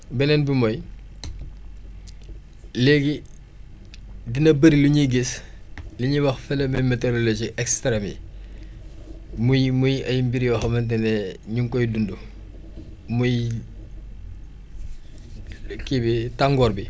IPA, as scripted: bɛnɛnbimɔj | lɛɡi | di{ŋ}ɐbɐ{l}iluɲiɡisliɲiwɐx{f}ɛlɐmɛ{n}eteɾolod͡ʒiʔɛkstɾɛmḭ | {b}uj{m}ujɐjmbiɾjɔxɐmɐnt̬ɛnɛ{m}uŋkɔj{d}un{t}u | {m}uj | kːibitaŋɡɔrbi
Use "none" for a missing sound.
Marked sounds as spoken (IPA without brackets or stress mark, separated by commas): n, ɾ, f, m, m, m, ɲ, d, d, m